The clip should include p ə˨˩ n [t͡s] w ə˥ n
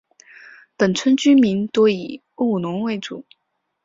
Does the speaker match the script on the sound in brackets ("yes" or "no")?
no